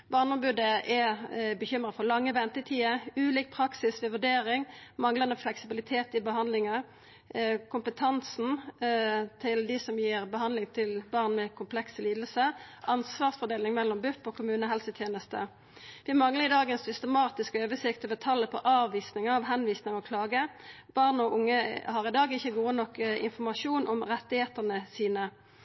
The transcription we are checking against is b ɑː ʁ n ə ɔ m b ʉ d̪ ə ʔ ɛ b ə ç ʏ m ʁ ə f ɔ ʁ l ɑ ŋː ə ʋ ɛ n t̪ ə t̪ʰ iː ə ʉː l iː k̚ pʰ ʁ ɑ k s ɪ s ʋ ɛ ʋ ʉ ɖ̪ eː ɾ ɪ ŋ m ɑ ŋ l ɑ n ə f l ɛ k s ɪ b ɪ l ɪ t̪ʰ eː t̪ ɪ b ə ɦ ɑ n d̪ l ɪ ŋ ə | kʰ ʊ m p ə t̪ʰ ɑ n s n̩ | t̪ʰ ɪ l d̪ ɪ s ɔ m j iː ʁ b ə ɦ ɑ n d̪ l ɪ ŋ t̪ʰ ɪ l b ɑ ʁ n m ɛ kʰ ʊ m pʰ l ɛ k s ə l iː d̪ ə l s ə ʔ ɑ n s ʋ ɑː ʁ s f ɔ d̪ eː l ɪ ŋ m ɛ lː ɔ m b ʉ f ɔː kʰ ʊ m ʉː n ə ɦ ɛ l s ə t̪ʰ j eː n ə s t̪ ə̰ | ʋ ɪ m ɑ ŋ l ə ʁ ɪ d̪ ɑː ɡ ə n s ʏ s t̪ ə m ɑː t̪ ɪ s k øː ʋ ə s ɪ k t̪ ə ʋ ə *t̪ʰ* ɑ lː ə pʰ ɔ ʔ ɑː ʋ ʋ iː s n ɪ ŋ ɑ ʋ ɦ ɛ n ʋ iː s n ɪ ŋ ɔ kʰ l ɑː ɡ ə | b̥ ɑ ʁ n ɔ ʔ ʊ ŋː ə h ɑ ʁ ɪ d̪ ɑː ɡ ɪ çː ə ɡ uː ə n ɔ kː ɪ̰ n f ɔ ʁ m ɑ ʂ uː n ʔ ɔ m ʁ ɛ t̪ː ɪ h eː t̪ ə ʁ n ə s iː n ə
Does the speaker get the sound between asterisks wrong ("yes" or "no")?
no